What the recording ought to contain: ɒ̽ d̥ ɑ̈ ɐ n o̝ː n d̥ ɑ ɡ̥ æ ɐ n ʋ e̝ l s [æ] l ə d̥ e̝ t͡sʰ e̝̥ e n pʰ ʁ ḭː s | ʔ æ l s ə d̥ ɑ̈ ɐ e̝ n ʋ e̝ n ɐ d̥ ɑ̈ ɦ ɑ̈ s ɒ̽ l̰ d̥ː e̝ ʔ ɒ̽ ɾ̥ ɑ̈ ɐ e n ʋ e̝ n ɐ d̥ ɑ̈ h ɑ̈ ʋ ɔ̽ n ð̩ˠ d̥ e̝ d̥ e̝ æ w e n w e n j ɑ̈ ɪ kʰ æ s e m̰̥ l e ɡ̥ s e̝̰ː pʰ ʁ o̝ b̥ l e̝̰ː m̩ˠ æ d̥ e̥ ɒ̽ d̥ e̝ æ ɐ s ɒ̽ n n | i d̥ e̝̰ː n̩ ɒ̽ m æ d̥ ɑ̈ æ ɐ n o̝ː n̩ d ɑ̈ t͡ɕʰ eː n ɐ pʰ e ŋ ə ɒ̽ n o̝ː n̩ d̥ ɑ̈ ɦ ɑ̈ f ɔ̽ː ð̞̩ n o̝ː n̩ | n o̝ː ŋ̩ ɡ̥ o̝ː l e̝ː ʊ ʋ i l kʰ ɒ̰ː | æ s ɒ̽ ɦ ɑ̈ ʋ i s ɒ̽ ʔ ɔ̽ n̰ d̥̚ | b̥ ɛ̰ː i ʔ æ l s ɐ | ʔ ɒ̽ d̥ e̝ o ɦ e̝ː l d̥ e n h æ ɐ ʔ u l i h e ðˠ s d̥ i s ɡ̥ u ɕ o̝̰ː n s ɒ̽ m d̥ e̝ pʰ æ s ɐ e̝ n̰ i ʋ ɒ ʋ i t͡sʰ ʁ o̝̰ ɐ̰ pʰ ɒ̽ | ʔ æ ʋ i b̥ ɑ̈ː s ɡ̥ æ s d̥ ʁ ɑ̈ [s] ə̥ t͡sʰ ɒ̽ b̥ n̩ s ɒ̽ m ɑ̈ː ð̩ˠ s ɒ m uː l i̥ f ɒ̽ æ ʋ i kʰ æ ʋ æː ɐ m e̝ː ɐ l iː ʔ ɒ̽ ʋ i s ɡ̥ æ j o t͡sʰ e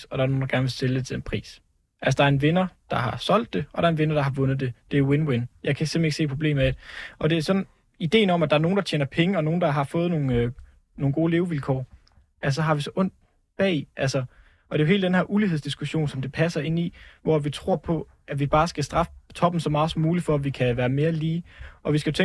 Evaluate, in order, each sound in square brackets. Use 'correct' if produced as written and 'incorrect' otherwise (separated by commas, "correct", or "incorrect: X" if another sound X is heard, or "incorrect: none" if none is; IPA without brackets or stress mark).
incorrect: e, incorrect: f